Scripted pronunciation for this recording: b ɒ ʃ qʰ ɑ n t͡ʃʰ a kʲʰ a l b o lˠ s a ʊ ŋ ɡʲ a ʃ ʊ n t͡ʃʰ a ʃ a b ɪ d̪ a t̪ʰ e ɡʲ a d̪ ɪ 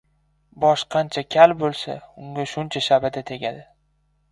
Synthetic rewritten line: b ɒ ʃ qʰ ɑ n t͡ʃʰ a kʲʰ a l b o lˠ s a ʊ ŋ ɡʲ a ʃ ʊ n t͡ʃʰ a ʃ a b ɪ d̪ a t̪ʰ e ɡʲ a d̪ ɪ